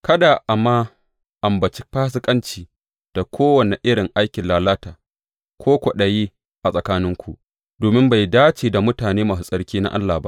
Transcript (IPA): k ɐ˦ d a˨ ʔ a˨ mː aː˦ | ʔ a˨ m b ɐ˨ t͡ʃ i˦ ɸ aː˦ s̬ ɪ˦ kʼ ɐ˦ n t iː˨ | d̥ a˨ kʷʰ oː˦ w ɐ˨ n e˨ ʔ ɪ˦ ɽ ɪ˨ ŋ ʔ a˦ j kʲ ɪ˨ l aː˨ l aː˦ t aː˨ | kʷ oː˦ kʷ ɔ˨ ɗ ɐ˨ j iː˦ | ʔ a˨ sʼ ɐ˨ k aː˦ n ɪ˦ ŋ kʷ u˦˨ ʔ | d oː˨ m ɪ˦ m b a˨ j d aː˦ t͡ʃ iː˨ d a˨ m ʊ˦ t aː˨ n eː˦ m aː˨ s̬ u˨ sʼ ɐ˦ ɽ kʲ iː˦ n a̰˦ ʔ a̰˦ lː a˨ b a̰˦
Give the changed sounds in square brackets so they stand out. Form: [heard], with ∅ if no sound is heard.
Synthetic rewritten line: k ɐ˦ d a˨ ʔ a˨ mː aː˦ | ʔ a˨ m b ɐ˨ t͡ʃ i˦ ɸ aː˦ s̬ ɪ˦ kʼ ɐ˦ n [t͡ʃ] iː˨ | d̥ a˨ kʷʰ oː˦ w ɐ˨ n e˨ ʔ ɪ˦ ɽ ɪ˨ ŋ ʔ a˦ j kʲ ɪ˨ l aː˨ l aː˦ t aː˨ | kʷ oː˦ kʷ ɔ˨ ɗ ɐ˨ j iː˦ | ʔ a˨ sʼ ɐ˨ k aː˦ n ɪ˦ ŋ kʷ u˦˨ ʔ | d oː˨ m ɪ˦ m b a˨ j d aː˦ t͡ʃ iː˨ d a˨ m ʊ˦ t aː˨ n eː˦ m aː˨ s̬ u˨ sʼ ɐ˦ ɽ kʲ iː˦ n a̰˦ ʔ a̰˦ lː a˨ b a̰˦

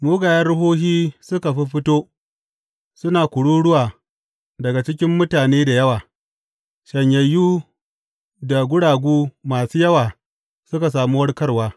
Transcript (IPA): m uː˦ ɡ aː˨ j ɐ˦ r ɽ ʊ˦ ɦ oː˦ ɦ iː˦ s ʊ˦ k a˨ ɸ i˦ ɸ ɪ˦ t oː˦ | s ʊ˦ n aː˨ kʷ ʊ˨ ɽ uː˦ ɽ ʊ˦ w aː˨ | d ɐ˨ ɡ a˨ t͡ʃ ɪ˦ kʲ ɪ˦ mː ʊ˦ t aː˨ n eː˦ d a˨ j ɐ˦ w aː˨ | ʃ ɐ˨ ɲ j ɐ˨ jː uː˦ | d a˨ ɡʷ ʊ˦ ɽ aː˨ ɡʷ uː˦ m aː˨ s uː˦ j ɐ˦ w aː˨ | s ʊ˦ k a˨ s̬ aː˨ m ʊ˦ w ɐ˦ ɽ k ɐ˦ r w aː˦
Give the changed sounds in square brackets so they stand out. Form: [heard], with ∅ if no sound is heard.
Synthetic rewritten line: m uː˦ ɡ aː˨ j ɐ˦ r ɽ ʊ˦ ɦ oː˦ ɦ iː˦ s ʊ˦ k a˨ ɸ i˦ ɸ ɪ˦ t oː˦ | s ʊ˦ n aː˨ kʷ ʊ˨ ɽ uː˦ ɽ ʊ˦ w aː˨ | d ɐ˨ ɡ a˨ t͡ʃ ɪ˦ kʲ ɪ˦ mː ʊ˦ t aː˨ n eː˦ d a˨ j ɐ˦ w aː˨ | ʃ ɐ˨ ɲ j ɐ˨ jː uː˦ | d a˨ ɡʷ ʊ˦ ɽ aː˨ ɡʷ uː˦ m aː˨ s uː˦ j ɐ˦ w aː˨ | s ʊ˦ k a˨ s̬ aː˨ m [u˦] w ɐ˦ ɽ k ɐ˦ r w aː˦

